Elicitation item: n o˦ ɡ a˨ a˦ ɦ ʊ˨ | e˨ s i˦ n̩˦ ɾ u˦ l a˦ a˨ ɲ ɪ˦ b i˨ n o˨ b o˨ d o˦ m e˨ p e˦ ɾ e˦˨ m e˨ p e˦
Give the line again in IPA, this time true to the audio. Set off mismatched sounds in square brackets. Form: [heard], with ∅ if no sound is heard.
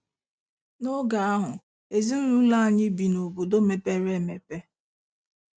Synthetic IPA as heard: n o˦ ɡ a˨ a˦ ɦ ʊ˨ | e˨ [z] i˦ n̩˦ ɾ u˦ l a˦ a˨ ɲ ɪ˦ b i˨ n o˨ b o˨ d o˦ m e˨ p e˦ ɾ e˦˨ m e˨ p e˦

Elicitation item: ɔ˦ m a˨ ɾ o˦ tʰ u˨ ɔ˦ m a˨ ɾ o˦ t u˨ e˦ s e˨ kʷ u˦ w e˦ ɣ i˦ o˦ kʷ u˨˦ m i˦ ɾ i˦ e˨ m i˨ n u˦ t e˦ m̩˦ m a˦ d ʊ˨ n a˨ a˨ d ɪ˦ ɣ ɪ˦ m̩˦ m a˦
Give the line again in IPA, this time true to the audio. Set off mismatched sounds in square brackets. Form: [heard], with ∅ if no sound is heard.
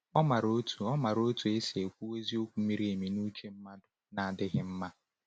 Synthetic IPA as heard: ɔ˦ m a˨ ɾ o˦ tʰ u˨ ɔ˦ m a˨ ɾ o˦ t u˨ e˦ s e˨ kʷ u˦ w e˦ [z] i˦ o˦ kʷ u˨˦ m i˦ ɾ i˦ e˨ m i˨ n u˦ [t͡ʃ] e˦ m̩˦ m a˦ d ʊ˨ n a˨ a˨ d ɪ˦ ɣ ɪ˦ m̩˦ m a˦

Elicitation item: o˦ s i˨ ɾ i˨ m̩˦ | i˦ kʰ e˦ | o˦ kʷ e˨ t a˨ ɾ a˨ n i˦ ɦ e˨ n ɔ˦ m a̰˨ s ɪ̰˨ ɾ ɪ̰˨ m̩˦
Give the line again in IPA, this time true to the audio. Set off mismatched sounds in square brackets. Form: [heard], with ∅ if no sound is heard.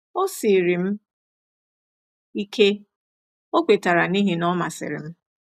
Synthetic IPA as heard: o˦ s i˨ ɾ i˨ m̩˦ | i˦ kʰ e˦ | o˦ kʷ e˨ t a˨ ɾ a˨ n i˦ ɦ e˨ n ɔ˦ m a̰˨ s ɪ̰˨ ɾ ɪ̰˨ m̩˦

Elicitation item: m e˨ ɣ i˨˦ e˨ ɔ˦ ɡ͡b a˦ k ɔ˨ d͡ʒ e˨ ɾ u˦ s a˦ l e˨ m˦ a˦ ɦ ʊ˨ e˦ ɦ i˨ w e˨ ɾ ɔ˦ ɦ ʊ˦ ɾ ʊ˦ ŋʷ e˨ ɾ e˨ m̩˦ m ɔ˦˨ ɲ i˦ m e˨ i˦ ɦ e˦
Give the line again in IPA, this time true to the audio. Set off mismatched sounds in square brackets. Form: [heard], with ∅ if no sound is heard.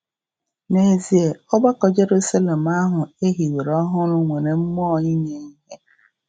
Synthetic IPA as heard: [n] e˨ [z] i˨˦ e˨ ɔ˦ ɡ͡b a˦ k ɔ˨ d͡ʒ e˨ ɾ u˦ s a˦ l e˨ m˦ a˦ ɦ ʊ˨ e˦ ɦ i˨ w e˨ ɾ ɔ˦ ɦ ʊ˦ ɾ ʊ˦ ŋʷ e˨ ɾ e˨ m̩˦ m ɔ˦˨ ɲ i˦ [ɲ] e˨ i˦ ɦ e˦

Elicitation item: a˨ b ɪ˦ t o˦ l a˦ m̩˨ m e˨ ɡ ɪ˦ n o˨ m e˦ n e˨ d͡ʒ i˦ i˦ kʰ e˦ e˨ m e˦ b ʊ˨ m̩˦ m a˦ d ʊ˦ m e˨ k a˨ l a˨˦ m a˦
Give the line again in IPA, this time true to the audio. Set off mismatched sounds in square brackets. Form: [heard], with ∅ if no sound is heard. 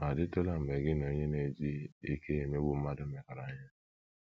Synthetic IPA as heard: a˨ [d] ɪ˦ t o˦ l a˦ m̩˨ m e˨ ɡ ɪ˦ n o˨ [ɲ] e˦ n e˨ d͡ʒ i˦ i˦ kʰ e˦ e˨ m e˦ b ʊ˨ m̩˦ m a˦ d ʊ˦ m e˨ k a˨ [ɾ] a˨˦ [ɲ] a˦

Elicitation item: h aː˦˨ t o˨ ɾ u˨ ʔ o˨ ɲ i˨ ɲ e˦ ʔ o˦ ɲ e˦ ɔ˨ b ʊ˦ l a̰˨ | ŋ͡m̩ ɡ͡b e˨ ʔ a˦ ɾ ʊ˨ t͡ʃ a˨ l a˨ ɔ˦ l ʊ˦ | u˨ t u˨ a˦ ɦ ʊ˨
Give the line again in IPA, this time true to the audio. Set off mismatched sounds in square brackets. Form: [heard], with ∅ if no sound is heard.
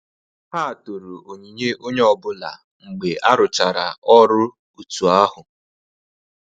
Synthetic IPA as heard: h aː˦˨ t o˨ ɾ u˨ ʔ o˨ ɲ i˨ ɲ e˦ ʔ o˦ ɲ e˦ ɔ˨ b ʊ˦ l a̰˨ | ŋ͡m̩ ɡ͡b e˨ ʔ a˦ ɾ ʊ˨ t͡ʃ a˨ [ɾ] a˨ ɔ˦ [ɾ] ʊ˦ | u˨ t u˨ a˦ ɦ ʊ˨

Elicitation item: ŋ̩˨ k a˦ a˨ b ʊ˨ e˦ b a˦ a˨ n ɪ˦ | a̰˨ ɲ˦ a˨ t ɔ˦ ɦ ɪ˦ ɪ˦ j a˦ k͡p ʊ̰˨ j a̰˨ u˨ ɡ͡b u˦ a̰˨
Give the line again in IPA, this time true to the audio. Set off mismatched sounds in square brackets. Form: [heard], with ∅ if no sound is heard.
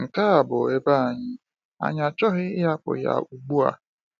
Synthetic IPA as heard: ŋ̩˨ k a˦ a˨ b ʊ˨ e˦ b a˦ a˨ [ɲ] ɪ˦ | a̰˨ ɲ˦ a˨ [t͡ʃ] ɔ˦ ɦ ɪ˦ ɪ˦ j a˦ k͡p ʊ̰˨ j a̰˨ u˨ ɡ͡b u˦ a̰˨

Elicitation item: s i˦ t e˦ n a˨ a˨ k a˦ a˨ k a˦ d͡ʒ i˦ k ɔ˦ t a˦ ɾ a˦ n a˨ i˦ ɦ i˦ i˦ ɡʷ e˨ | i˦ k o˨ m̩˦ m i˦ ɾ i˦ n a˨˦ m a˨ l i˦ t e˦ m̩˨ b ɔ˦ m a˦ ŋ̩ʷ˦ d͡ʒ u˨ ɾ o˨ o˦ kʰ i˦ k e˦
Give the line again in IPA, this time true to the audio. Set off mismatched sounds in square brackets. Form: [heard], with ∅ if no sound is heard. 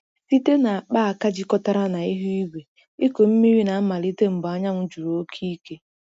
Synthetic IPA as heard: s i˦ t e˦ n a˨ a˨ [k͡p] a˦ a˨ k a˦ d͡ʒ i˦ k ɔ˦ t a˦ ɾ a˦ n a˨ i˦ ɦ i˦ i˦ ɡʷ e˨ | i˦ k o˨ m̩˦ m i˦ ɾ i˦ n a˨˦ m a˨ l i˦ t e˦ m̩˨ b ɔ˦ [ɲ] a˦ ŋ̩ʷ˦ d͡ʒ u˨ ɾ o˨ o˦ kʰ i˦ k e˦

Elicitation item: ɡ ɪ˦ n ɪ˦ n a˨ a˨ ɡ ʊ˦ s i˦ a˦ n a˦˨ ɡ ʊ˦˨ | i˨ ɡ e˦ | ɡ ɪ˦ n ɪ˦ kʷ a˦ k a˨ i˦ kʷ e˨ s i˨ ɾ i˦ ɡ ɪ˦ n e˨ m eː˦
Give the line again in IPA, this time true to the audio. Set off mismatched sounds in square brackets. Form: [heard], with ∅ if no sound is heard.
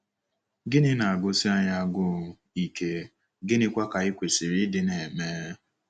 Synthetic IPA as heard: ɡ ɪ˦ n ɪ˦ n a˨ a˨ ɡ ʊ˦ s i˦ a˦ [ɲ] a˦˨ ɡ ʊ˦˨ | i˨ [k] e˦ | ɡ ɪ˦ n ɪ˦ kʷ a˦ k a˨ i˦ kʷ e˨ s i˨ ɾ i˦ [d] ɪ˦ n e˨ m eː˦

